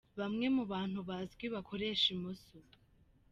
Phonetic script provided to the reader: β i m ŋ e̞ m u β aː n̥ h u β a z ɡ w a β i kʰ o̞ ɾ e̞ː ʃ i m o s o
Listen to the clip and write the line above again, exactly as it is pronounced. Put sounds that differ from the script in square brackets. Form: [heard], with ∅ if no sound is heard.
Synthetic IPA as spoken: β [a] m ŋ e̞ m u β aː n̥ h u β a z ɡ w [i] β [a] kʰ o̞ ɾ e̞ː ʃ i m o s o